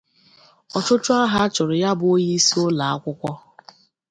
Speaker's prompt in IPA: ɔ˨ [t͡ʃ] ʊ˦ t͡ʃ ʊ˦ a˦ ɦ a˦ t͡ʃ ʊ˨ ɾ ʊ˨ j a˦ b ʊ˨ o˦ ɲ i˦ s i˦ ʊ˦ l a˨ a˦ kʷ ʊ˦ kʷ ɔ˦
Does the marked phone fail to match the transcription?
no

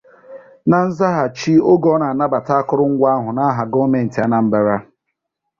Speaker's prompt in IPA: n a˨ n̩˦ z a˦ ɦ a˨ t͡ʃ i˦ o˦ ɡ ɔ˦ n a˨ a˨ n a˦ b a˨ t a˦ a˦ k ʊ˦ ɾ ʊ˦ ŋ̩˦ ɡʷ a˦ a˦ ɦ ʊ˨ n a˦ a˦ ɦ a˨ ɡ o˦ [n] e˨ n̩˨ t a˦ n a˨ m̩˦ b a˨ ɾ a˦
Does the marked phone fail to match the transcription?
yes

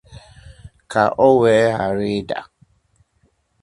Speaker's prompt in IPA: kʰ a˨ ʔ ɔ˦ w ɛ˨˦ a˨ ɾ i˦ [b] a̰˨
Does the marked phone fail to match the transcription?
yes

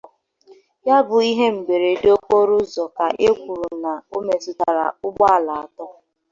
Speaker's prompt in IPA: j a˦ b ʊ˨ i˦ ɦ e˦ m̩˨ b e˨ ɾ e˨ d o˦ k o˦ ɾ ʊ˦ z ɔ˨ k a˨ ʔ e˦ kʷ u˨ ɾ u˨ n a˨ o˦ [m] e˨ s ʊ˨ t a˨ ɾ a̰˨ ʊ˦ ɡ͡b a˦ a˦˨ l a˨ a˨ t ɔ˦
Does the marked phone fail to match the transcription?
no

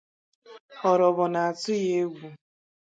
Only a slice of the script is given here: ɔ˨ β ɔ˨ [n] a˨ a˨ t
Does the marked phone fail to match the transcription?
no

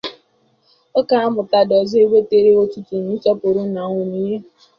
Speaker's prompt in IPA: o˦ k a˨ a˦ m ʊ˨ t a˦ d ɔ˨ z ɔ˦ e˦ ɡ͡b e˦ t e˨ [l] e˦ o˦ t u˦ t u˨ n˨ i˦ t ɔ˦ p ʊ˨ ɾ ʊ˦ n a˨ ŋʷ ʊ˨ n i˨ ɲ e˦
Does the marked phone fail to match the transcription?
yes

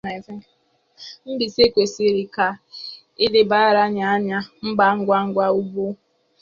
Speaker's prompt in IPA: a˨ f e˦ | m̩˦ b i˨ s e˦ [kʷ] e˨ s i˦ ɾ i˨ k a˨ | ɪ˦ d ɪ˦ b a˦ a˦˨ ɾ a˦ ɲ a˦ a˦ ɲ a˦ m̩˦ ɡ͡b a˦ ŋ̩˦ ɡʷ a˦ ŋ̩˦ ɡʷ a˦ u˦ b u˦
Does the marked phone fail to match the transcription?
no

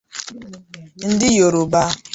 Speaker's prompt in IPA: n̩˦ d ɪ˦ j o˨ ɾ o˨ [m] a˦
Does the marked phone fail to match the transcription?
yes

